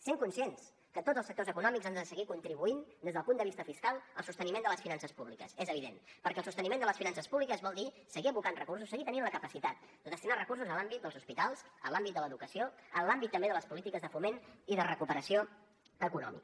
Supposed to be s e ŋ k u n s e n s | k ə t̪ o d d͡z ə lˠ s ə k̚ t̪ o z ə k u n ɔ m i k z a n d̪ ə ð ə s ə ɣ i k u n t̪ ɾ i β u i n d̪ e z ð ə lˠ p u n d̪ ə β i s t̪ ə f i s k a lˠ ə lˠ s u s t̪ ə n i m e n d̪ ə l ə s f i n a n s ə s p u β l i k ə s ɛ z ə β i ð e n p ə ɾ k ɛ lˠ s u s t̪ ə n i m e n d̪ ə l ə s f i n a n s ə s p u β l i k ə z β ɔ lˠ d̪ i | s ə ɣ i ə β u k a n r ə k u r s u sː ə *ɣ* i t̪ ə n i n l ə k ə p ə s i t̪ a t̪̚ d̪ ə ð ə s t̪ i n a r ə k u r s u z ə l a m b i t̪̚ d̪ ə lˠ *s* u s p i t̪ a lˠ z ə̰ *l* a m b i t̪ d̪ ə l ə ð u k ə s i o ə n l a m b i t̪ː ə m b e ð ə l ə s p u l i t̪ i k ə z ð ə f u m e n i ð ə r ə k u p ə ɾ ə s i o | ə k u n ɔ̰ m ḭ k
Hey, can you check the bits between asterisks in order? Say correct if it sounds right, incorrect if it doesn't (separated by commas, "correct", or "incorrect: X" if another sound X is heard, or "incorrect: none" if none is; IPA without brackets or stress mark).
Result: correct, incorrect: z, correct